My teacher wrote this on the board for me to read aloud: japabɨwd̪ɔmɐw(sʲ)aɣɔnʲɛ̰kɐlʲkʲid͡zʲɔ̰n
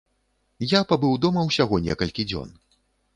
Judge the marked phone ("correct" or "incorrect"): correct